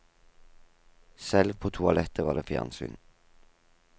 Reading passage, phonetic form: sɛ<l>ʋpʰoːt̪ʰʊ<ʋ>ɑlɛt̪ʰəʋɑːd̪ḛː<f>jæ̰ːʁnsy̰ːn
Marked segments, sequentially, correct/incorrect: correct, incorrect: none, correct

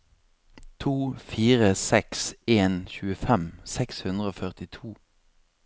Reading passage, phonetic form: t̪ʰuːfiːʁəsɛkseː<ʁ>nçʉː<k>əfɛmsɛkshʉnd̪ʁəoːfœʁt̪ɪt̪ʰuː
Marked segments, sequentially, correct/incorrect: incorrect: none, incorrect: none

